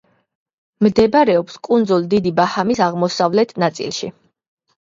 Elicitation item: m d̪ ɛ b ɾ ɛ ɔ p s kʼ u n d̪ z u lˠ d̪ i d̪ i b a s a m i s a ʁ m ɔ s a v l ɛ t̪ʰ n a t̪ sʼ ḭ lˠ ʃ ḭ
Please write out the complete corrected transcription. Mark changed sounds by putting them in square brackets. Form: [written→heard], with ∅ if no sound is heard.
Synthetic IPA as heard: m d̪ ɛ b ɾ ɛ ɔ p s kʼ u n d̪ z u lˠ d̪ i d̪ i b a [s→h] a m i s a ʁ m ɔ s a v l ɛ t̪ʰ n a t̪ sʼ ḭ lˠ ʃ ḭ